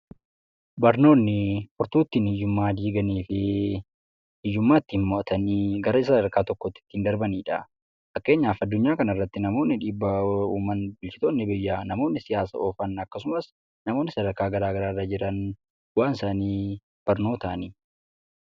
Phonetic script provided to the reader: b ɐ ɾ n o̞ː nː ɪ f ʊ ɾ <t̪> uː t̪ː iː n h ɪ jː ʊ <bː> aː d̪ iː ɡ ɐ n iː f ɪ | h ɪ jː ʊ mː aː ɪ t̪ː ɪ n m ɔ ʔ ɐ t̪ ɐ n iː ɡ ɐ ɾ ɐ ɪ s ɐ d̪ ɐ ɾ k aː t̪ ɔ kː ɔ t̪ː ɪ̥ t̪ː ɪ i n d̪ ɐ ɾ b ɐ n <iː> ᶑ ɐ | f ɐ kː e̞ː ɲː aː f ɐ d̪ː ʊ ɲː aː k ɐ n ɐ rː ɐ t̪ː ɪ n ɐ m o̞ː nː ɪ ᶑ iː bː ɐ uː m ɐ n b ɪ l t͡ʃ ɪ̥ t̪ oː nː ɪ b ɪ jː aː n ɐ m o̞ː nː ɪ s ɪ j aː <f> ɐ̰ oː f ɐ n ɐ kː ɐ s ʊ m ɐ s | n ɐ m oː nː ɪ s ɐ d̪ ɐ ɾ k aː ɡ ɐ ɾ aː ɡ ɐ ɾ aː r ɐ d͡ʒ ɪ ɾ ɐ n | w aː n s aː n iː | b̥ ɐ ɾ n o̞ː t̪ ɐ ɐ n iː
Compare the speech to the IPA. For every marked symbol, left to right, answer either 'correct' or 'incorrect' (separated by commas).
correct, incorrect, correct, incorrect